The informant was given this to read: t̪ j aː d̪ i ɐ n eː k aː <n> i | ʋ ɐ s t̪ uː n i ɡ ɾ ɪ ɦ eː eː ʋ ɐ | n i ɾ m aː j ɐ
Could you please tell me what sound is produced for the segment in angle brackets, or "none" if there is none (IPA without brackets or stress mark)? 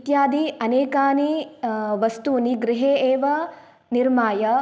n